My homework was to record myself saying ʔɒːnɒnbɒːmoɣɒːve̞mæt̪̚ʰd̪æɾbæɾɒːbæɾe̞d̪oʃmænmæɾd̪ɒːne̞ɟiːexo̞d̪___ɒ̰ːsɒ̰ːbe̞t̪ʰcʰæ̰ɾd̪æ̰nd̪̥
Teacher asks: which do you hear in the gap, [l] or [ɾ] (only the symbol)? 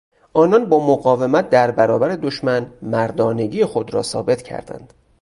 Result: ɾ